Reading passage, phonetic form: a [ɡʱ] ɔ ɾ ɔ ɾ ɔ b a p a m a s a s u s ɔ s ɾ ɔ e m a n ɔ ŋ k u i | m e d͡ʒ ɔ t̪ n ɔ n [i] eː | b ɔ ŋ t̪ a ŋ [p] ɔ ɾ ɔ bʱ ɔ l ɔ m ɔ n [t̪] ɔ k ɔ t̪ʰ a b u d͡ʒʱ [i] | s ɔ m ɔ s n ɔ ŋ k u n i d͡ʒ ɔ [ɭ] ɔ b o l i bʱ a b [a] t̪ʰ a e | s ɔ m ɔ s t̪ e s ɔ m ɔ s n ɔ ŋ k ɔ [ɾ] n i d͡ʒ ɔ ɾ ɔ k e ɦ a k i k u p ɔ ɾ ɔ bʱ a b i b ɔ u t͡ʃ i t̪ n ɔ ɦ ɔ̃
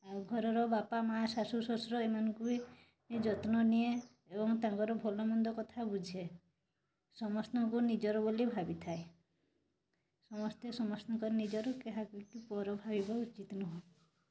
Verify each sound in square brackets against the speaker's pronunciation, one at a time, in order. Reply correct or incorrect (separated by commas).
correct, correct, incorrect, incorrect, incorrect, incorrect, incorrect, correct